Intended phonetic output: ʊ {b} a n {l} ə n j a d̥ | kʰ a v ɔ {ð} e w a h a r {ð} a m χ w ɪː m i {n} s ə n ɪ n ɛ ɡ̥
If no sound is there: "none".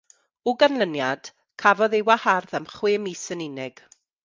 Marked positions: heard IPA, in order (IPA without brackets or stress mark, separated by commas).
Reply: ɡ, l, ð, ð, none